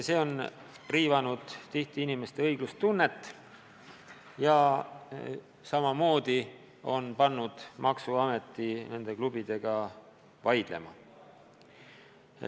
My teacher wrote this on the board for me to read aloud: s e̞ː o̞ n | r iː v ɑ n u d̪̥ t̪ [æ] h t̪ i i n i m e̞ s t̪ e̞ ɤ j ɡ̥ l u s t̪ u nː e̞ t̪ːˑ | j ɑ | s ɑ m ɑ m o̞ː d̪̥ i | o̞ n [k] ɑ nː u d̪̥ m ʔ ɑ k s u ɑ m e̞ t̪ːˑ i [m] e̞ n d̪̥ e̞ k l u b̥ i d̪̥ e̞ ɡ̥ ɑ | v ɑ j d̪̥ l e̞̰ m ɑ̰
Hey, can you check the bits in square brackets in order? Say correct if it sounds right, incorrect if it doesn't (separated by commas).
incorrect, incorrect, incorrect